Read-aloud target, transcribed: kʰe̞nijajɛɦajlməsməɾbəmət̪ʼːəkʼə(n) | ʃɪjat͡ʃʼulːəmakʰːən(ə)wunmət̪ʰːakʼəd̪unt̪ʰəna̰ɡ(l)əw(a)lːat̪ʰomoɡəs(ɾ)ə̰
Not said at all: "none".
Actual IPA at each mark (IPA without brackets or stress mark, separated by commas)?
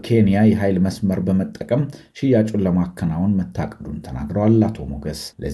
m, a, ɾ, a, l